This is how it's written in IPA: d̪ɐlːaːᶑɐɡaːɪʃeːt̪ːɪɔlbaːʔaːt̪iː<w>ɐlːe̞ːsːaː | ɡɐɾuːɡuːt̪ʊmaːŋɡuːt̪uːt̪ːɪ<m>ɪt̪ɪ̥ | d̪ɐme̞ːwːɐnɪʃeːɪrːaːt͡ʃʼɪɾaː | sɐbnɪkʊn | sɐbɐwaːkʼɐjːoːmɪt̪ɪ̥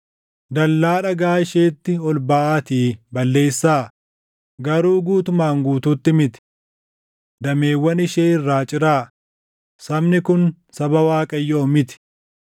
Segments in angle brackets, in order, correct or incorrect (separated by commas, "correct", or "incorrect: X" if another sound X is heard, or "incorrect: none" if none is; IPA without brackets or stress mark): incorrect: b, correct